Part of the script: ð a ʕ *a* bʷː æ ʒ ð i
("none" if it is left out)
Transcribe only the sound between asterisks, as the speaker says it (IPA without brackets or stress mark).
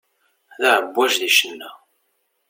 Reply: ə